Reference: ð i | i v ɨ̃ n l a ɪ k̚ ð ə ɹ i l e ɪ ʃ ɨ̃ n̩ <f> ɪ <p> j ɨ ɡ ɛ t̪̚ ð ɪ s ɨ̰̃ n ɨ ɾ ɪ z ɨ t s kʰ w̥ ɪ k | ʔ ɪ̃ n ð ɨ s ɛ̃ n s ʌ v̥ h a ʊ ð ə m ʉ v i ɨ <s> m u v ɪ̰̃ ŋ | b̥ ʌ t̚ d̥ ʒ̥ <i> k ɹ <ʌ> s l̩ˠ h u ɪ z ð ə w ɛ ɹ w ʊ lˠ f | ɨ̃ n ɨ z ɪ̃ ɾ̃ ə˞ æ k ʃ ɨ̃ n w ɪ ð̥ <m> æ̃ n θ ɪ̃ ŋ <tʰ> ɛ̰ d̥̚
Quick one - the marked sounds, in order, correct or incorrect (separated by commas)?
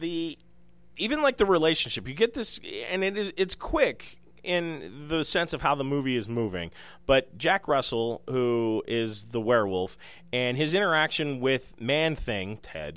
incorrect, correct, incorrect, incorrect, correct, correct, correct